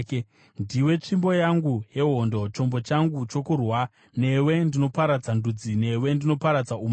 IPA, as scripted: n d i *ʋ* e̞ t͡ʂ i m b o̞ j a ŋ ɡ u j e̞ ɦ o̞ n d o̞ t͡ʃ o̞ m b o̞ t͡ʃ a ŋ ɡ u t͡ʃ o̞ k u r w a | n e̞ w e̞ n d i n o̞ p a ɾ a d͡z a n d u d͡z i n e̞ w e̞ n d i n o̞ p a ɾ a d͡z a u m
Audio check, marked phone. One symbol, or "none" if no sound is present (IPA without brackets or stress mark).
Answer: w